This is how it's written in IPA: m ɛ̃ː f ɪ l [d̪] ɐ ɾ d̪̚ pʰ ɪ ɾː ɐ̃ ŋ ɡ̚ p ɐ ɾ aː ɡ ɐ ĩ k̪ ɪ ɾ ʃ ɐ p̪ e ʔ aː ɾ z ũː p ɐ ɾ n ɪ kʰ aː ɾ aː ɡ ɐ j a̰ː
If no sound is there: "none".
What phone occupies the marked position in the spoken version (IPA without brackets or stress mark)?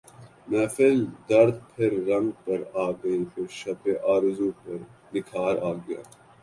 d̪